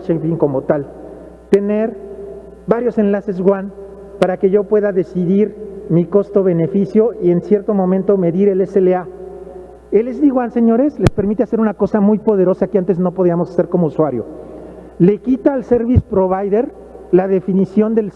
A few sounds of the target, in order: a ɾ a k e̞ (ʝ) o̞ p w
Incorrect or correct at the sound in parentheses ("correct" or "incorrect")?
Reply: correct